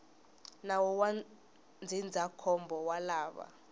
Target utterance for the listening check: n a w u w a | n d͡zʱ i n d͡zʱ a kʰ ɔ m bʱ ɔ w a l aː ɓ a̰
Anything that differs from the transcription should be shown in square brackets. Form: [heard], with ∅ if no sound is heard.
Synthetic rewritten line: n a w [ɔ] w a | n d͡zʱ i n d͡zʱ a kʰ ɔ m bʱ ɔ w a l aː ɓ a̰